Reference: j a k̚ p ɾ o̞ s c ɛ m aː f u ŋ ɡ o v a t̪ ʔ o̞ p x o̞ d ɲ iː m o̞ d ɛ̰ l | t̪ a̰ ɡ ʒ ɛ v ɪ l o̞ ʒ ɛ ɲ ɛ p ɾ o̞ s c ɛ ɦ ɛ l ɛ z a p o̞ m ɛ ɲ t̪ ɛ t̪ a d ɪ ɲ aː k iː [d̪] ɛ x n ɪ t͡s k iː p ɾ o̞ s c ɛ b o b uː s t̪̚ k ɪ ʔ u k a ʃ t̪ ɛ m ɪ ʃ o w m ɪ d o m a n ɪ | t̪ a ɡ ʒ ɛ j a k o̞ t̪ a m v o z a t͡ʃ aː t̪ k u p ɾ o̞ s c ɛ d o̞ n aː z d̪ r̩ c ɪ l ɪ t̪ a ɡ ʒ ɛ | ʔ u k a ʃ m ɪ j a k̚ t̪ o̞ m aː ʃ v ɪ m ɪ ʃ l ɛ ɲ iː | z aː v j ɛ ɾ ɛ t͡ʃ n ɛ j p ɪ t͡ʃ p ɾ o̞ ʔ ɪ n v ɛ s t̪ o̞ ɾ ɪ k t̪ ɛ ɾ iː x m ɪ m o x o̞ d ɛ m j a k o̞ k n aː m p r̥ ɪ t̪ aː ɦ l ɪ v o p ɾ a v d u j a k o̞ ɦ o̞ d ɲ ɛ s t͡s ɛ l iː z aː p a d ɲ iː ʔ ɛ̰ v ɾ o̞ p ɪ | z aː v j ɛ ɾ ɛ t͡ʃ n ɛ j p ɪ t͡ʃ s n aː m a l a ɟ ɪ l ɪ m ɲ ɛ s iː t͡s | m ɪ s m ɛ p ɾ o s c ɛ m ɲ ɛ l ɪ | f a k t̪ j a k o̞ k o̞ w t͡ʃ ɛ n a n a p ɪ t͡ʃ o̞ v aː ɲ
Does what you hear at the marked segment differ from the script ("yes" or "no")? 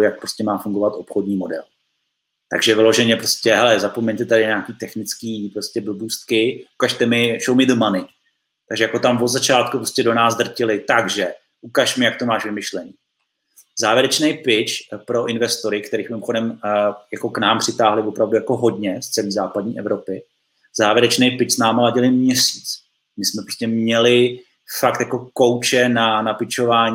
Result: yes